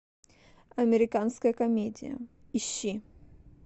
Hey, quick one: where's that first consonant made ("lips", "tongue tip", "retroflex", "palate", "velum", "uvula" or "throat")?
lips